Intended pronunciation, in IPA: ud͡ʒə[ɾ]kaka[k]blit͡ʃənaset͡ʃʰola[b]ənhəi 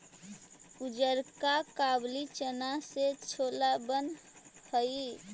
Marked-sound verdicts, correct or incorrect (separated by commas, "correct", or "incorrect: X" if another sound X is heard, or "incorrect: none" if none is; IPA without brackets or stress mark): correct, incorrect: none, correct